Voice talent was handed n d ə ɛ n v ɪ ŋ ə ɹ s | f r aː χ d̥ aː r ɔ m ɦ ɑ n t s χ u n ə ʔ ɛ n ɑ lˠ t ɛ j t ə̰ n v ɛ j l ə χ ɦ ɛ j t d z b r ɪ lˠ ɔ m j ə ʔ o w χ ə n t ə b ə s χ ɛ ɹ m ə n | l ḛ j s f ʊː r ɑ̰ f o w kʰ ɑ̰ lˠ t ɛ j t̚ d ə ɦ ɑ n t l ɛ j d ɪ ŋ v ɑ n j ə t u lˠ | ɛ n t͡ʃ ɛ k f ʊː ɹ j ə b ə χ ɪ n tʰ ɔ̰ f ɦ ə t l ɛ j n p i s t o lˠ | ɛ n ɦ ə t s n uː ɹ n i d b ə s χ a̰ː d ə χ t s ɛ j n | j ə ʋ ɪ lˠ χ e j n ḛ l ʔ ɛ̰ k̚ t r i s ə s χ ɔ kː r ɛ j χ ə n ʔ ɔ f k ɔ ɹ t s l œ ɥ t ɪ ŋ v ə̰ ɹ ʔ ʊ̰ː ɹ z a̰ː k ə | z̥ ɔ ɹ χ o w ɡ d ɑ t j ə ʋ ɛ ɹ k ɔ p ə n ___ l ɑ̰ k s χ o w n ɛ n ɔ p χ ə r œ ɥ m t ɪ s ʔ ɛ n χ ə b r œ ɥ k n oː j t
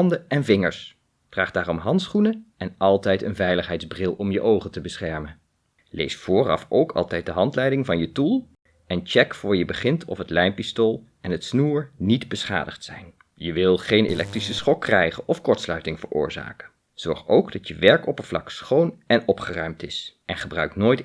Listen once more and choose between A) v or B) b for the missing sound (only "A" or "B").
A